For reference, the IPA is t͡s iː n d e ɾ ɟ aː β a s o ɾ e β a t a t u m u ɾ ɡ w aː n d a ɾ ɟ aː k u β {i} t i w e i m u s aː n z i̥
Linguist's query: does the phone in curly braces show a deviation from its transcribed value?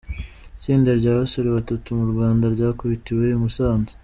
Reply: no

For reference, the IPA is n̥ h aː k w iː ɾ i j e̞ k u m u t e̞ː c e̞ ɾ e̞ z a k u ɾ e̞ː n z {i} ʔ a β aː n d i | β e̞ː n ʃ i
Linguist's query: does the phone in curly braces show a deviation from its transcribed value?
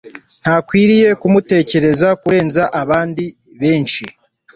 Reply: yes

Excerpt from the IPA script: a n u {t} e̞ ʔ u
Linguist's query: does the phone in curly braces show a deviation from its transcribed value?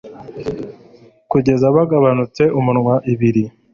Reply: yes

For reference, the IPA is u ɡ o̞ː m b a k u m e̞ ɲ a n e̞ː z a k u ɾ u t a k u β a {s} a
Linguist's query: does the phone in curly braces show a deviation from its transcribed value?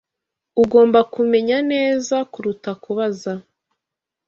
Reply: yes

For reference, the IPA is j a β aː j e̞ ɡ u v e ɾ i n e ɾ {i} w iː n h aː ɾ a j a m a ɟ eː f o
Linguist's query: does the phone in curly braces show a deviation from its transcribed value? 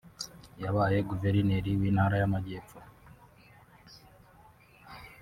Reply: no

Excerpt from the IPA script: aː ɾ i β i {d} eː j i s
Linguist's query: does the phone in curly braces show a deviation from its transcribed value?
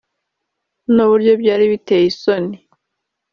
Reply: yes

